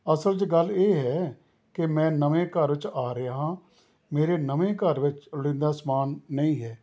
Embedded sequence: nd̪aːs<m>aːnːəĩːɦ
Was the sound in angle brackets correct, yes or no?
yes